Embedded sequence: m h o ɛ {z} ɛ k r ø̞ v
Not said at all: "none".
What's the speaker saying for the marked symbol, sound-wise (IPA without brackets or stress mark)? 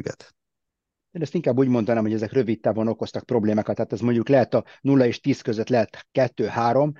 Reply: z